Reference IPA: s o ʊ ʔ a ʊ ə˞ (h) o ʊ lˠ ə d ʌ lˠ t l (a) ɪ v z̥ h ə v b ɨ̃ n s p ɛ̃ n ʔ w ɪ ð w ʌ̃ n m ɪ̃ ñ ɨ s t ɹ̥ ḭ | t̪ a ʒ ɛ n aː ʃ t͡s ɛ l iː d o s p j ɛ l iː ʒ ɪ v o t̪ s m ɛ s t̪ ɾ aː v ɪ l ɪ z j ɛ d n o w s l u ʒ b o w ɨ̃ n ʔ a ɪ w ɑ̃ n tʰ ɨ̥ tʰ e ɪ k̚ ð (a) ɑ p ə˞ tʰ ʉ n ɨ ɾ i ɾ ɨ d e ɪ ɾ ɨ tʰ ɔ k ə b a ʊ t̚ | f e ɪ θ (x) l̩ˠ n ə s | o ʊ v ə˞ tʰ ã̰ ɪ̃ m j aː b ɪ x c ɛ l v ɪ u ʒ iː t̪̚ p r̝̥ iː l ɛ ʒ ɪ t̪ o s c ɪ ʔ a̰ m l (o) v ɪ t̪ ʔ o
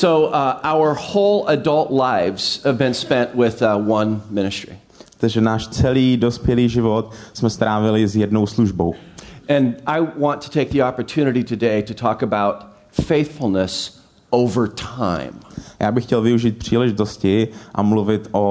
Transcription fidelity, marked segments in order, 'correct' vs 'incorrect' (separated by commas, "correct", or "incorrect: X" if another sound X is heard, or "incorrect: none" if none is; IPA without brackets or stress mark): correct, correct, incorrect: i, incorrect: f, incorrect: u